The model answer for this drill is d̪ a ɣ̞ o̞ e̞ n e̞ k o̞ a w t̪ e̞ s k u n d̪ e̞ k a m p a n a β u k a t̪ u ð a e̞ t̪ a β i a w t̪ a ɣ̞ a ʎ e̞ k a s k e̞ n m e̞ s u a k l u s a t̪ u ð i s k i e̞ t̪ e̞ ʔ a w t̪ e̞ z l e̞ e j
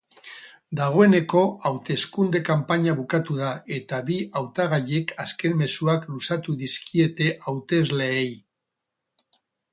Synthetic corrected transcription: d̪ a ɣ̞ o̞ e̞ n e̞ k o̞ a w t̪ e̞ s k u n d̪ e̞ k a m p a ɲ a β u k a t̪ u ð a e̞ t̪ a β i a w t̪ a ɣ̞ a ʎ e̞ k a s k e̞ n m e̞ s u a k l u s a t̪ u ð i s k i e̞ t̪ e̞ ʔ a w t̪ e̞ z l e̞ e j